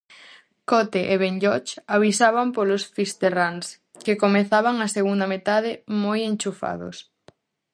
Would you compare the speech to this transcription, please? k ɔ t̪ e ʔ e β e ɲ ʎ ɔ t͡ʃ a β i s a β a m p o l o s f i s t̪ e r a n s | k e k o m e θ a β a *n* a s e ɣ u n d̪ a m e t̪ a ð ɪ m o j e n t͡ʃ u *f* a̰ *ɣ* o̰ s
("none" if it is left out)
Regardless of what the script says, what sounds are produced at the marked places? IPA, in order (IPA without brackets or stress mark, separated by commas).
ŋ, f, ð